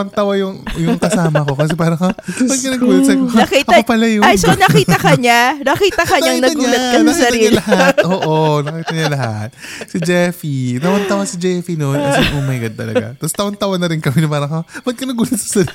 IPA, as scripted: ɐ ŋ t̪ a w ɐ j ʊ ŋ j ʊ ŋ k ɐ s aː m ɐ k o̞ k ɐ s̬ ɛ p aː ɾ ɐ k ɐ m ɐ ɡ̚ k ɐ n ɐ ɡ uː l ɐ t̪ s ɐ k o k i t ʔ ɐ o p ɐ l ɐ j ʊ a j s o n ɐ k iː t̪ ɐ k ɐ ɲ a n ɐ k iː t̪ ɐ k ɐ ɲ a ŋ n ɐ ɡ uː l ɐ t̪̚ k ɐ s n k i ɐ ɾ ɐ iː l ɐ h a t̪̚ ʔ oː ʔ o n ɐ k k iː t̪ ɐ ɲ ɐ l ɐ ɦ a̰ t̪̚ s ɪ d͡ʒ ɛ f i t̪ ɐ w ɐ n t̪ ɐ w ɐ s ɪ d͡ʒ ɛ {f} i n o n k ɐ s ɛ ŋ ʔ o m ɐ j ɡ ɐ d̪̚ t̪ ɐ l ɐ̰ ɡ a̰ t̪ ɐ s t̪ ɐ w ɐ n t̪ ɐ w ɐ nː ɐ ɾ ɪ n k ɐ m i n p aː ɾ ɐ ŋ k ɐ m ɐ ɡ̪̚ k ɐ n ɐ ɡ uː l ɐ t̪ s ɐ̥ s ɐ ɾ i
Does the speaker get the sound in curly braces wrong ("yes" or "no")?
no